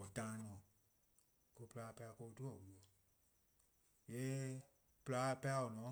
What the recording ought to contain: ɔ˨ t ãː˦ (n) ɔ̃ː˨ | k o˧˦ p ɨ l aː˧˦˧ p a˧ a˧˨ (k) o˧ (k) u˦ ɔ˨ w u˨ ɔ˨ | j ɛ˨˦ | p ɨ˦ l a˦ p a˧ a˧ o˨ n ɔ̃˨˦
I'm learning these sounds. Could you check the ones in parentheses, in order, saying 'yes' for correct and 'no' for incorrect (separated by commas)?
yes, yes, no